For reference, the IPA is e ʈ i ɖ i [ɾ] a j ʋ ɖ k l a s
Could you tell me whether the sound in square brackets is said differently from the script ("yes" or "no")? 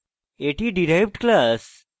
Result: no